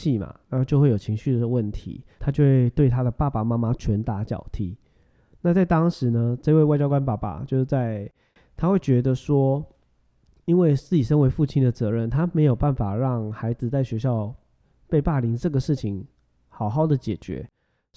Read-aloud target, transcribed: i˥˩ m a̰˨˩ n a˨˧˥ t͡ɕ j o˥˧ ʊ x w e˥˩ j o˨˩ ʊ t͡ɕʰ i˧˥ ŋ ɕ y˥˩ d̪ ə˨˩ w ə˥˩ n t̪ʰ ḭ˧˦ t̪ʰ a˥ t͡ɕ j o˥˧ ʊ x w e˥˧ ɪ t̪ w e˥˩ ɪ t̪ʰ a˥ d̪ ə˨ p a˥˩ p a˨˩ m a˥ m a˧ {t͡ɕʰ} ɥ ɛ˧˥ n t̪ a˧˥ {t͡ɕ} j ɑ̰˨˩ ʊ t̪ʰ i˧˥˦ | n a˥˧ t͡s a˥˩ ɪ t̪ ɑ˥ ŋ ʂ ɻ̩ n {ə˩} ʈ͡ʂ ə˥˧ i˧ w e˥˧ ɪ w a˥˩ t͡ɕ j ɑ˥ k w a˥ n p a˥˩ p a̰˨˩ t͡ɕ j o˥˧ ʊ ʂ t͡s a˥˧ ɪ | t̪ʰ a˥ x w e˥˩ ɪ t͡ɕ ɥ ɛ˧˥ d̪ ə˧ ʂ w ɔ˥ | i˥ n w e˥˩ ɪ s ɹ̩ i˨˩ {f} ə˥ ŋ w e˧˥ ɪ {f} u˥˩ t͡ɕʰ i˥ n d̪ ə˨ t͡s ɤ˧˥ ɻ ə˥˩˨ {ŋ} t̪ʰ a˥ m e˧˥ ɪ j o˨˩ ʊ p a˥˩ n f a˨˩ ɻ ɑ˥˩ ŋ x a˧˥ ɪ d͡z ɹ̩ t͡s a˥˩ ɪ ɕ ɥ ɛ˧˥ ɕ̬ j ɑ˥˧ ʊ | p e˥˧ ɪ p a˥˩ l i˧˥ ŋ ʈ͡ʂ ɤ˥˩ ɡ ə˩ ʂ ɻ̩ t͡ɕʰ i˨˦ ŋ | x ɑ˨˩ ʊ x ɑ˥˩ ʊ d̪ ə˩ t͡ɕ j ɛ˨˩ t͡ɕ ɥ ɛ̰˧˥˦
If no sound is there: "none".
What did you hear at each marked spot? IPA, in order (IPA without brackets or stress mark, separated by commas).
t͡ɕʰ, t͡ɕ, ə˦, ʂ, f, n